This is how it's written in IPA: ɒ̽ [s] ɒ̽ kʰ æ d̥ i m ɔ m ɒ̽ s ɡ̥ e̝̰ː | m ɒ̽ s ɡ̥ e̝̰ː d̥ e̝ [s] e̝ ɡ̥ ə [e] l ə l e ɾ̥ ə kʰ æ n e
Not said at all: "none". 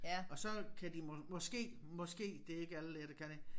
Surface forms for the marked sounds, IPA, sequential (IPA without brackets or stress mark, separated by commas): s, none, æ